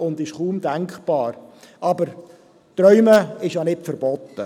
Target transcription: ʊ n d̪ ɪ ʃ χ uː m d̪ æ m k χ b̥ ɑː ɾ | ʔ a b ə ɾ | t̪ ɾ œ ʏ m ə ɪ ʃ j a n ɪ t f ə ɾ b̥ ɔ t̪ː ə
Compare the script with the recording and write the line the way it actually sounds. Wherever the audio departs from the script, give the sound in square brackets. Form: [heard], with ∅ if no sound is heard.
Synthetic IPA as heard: ʊ n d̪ ɪ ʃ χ uː m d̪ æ [ŋ] k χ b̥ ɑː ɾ | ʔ [ɑ] b ə ɾ | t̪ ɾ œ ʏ m ə ɪ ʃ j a n ɪ t f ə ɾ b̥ ɔ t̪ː ə